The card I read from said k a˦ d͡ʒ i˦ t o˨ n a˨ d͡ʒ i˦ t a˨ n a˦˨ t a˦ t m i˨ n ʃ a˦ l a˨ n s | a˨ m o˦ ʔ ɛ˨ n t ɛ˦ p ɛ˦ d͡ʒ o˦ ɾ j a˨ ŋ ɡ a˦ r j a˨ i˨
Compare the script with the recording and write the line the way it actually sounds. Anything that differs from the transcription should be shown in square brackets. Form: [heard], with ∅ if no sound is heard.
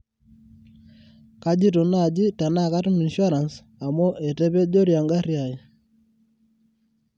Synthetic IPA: k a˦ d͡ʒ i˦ t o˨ n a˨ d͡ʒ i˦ t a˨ n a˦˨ [k] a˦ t m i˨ n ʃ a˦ [ɾ] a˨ n s | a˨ m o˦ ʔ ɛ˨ [∅] t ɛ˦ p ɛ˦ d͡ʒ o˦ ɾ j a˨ ŋ ɡ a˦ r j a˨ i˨